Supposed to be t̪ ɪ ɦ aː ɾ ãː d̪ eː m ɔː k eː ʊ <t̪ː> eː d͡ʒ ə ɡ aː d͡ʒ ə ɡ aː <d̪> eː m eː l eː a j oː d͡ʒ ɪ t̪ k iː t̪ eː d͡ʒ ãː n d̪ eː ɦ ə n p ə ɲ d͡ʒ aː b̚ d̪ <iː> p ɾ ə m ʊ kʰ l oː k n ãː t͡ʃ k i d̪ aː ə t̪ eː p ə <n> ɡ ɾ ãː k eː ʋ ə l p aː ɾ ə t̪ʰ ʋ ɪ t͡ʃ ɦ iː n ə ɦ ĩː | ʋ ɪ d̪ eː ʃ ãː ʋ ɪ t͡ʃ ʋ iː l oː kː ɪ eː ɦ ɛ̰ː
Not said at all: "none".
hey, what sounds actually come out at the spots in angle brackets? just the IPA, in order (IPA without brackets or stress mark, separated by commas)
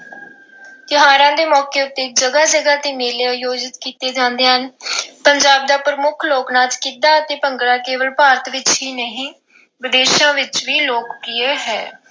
t̪ː, t̪, aː, ŋ